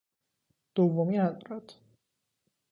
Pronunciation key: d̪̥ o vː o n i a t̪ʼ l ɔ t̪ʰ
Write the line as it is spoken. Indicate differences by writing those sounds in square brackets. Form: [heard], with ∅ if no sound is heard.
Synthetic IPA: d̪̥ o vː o [m] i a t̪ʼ [ɾ] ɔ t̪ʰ